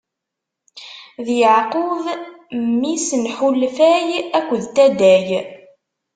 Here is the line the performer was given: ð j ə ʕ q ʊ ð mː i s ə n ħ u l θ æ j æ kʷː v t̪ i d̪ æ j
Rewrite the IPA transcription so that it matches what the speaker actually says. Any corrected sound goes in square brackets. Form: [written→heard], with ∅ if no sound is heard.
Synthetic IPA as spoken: ð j ə ʕ q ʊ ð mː i s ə n ħ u l [θ→f] æ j æ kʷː [v→ð] t̪ [i→æ] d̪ æ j